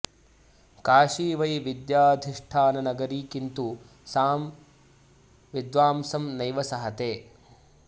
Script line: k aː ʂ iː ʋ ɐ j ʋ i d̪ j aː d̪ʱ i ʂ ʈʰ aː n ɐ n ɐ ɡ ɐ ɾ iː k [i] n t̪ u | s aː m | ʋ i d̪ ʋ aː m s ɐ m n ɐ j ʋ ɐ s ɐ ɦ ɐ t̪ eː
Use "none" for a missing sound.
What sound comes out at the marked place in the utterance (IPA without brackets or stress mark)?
i